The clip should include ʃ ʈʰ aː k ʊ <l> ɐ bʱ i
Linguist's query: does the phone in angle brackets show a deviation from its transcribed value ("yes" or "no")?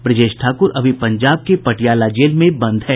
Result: yes